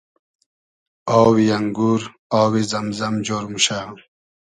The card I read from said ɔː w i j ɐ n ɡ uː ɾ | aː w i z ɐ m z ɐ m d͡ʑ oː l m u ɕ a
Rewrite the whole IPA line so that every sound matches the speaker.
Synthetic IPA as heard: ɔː w i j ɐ ŋ ɡ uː ɾ | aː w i z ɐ m z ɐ m d͡ʑ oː ɾ m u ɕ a